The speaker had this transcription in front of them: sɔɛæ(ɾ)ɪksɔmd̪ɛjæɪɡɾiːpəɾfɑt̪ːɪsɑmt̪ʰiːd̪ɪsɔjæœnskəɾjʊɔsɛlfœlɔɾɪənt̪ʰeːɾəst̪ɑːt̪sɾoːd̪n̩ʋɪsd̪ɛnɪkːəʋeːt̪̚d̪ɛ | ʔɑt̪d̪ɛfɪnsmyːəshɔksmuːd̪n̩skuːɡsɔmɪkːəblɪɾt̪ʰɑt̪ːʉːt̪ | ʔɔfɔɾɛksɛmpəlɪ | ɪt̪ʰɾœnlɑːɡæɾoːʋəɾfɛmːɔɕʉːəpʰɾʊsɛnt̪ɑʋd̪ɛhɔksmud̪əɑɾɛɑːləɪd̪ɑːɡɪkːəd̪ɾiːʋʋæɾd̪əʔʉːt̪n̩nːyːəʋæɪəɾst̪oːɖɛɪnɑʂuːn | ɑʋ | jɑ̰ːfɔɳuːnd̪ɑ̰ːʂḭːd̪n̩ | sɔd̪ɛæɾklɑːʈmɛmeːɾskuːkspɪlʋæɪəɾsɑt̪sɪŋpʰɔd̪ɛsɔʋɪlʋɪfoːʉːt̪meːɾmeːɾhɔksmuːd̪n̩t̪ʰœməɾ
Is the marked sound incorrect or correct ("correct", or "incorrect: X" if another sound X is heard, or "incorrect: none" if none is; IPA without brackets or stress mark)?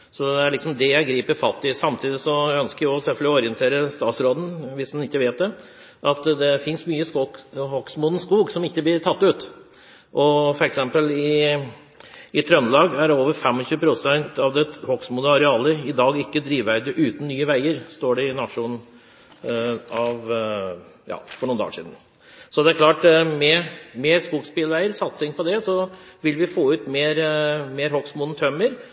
incorrect: ɭ